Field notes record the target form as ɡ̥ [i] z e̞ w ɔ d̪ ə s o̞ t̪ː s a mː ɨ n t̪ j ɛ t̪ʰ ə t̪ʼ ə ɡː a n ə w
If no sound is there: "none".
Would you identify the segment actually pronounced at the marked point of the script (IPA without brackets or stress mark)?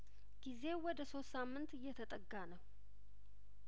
i